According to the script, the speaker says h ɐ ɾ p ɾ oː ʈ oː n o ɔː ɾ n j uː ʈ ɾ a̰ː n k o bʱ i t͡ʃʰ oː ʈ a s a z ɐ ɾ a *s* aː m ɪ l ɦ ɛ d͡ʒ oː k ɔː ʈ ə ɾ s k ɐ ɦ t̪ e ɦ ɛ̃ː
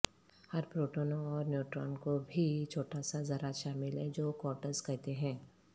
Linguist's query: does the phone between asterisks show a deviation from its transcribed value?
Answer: yes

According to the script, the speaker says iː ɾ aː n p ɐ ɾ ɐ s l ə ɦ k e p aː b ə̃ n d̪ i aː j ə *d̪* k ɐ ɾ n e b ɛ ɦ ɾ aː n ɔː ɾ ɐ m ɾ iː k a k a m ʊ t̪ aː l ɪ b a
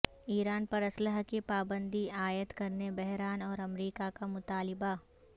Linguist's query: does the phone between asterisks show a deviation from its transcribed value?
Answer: yes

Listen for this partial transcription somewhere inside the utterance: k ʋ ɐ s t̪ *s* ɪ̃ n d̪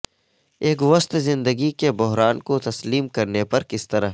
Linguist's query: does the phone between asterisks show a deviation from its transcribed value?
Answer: yes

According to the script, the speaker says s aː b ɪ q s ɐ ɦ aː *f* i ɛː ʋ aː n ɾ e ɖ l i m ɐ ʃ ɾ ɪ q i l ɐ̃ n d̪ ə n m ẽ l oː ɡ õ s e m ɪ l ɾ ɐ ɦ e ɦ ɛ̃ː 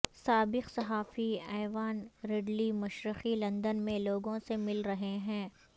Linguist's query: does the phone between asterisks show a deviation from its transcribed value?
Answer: no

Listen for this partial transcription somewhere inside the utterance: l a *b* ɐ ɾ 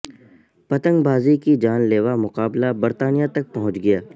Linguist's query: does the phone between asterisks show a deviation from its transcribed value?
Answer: no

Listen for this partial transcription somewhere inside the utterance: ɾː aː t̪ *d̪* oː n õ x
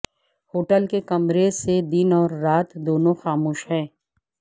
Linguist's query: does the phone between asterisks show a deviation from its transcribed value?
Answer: no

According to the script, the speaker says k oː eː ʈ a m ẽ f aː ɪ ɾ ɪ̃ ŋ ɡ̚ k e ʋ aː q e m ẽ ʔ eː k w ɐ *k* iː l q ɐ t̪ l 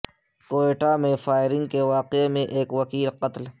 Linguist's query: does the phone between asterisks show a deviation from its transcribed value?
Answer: no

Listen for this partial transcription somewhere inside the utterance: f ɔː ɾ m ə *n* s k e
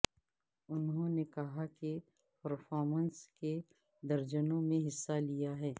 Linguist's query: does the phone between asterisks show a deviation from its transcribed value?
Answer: no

